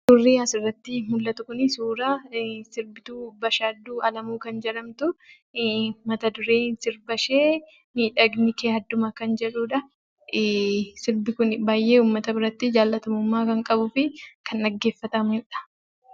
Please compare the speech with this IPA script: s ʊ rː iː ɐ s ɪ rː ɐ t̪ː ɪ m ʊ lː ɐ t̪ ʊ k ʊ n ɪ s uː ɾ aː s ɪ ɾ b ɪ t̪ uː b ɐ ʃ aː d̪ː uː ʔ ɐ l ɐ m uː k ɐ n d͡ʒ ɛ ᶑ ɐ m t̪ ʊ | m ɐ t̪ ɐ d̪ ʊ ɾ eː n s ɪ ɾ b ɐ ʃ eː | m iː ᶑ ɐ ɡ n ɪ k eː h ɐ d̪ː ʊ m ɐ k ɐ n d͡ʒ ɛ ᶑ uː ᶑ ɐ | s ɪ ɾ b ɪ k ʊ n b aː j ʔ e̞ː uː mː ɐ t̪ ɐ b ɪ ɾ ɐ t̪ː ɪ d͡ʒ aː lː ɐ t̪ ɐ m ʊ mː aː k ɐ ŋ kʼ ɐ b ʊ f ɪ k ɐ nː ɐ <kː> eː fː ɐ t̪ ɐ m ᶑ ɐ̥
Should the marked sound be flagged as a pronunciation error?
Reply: yes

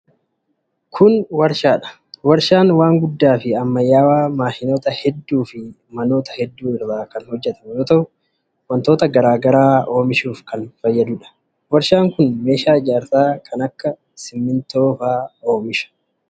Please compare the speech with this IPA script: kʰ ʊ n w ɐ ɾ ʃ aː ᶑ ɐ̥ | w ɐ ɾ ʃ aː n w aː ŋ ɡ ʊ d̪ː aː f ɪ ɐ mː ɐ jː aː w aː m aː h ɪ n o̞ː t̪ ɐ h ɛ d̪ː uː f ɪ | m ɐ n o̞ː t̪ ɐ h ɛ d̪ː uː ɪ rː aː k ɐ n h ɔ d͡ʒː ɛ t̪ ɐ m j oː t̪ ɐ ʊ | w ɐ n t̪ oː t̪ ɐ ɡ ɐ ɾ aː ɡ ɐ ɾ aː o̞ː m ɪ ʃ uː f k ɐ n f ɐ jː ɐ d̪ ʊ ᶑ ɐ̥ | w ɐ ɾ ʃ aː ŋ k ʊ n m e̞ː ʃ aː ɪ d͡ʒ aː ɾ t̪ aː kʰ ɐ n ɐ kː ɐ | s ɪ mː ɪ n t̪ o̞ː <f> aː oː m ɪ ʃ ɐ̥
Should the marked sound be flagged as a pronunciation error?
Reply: no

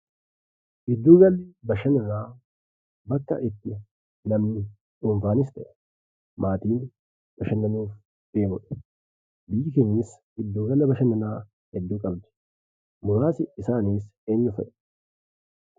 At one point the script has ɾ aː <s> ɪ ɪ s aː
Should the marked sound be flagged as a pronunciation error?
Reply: no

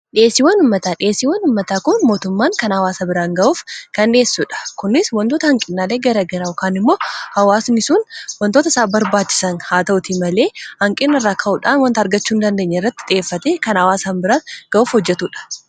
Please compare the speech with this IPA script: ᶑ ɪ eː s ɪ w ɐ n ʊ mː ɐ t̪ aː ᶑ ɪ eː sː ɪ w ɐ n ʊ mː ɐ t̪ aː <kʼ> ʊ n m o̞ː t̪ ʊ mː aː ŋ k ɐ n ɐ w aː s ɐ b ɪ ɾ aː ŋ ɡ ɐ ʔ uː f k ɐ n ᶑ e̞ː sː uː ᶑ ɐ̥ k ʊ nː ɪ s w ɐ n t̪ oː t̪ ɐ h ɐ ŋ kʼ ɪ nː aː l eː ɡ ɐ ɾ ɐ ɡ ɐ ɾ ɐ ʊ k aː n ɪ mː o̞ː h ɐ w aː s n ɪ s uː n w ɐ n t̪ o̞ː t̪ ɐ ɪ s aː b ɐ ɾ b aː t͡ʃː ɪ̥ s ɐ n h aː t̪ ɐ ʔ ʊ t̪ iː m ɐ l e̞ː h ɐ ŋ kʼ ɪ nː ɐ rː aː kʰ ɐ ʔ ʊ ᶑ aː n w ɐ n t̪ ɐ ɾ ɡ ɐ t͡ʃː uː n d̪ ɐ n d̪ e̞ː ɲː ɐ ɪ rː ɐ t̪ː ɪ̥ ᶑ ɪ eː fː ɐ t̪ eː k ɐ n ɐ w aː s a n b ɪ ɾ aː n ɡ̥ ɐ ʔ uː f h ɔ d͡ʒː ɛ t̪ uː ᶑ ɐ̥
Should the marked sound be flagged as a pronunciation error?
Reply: yes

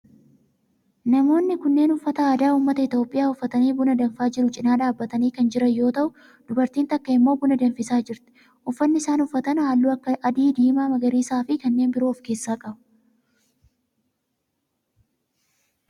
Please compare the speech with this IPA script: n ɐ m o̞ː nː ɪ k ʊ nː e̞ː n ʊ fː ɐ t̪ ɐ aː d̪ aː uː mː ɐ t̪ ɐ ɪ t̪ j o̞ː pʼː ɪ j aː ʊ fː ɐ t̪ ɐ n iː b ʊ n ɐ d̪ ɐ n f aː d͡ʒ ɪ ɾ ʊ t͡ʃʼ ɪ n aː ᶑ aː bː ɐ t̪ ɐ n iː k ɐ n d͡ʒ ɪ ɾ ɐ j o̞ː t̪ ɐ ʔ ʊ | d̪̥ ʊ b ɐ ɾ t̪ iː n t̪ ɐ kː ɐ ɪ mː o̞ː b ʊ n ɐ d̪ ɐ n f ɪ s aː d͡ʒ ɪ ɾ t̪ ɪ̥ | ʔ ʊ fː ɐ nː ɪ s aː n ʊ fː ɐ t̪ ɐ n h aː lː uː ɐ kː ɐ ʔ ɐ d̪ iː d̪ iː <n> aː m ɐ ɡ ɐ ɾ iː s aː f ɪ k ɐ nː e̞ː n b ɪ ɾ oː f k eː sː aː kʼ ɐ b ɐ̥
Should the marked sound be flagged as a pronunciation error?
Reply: yes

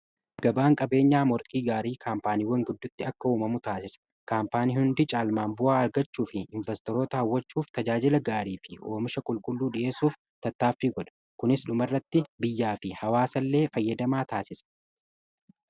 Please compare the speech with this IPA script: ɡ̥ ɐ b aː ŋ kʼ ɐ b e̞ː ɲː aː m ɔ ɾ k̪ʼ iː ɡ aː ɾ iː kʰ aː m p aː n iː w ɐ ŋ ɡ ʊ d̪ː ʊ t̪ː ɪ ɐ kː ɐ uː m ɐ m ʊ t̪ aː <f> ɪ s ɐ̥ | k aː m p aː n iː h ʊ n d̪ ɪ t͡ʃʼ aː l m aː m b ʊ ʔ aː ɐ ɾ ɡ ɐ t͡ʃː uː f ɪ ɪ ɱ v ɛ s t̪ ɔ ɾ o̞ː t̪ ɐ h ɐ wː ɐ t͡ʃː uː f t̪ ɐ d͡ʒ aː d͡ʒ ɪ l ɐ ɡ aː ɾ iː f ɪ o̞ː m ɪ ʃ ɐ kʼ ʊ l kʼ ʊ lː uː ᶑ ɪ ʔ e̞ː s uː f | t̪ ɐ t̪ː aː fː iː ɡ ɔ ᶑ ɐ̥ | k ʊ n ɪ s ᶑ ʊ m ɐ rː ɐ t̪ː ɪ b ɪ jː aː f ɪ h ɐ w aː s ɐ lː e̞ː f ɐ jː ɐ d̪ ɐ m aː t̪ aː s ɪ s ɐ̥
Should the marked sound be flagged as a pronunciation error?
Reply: yes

